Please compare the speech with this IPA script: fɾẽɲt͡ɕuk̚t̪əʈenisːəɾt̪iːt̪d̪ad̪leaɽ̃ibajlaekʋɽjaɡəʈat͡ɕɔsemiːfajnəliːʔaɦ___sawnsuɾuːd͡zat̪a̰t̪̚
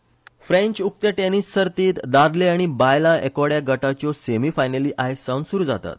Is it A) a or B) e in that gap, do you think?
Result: B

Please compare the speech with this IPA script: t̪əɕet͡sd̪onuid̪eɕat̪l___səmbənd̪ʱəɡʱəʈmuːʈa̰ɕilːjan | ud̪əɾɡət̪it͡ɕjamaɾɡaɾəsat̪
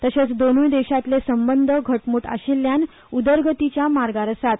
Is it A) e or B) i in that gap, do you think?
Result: A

